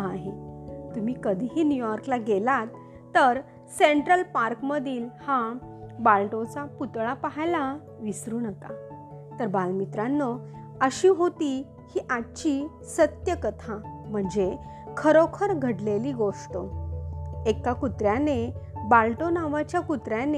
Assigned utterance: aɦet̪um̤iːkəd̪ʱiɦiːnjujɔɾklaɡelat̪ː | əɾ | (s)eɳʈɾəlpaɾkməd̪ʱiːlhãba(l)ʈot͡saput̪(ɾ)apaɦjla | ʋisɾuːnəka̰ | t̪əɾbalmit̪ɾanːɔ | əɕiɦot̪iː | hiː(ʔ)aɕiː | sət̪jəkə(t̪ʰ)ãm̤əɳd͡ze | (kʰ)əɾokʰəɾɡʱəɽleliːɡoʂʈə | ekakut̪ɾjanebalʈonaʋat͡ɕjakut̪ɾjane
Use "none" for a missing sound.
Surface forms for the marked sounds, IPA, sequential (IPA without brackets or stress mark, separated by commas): s, l, ɭ, ʔ, t̪ʰ, kʰ